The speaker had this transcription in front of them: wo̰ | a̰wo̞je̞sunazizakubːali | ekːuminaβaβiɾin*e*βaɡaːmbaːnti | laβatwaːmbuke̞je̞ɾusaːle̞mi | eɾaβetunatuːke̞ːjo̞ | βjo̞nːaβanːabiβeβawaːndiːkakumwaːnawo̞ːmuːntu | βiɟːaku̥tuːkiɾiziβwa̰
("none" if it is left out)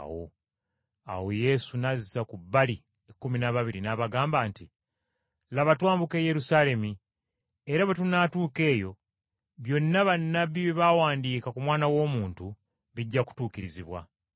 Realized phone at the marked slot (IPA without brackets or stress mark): a